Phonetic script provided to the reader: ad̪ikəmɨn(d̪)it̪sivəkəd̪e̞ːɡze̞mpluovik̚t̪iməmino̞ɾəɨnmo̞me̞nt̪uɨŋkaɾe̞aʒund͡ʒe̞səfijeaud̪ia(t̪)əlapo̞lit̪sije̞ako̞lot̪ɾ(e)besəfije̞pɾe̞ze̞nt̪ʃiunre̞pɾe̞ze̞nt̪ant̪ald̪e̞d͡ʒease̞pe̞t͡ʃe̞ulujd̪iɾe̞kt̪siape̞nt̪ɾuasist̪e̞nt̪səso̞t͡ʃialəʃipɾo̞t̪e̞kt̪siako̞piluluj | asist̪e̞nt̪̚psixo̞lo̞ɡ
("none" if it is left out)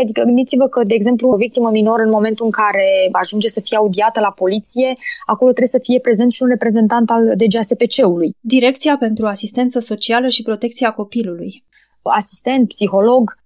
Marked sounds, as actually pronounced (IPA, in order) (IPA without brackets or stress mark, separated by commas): d̪, t̪, e